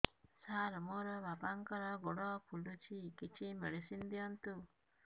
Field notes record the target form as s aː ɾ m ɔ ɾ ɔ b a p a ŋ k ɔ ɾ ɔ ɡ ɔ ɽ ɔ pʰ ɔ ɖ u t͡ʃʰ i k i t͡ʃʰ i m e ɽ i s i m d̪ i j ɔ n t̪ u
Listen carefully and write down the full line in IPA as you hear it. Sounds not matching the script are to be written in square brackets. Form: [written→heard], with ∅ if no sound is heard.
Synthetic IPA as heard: s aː ɾ m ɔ ɾ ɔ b a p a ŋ k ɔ ɾ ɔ ɡ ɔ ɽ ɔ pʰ [ɔ→u] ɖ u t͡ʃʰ i k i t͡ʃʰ i m e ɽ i s i [m→n] d̪ i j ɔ n t̪ u